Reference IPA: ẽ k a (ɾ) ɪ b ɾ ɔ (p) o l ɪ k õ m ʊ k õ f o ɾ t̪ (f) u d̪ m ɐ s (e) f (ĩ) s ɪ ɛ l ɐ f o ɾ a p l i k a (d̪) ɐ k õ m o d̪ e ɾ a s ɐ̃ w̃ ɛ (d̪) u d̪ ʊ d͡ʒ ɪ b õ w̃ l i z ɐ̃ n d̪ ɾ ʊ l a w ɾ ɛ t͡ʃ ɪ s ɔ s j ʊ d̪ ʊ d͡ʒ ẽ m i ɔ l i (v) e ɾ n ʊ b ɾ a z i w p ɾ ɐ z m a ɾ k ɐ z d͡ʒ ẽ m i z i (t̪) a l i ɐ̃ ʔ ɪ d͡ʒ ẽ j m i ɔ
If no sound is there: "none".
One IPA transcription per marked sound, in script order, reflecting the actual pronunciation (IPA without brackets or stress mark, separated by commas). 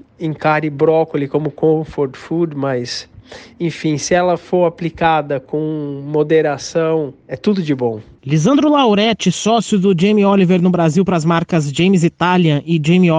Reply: ɾ, k, f, ẽ, ĩ, d̪, t̪, v, t̪